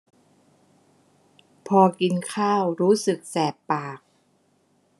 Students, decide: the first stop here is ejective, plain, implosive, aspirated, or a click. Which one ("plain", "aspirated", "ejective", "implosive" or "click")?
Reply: aspirated